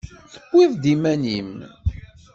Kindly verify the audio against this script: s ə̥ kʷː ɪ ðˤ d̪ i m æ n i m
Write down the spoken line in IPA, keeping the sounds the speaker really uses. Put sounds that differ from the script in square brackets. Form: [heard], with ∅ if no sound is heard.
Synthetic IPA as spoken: [θ] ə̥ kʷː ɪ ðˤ d̪ i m æ n i m